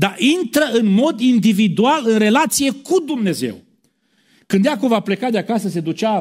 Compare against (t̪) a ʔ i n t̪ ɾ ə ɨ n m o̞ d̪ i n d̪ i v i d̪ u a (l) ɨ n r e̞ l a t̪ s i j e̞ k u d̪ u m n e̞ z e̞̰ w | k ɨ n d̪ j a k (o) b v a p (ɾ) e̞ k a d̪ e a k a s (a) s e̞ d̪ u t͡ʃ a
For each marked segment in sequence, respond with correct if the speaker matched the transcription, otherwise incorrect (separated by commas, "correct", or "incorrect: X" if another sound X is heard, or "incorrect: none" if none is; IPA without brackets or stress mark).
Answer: incorrect: d̪, correct, correct, incorrect: l, incorrect: ə